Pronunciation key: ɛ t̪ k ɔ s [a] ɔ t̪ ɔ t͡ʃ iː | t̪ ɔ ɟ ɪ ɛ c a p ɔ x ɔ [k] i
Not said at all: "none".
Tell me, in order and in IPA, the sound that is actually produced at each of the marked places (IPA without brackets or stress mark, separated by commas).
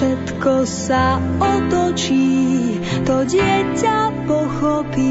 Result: a, p